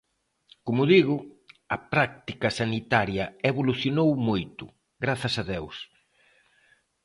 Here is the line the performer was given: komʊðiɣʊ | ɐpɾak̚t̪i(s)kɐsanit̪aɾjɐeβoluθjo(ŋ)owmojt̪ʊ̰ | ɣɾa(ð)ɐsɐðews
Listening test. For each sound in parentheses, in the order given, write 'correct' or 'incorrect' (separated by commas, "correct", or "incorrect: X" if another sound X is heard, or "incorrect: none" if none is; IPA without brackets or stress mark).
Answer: incorrect: none, incorrect: n, incorrect: θ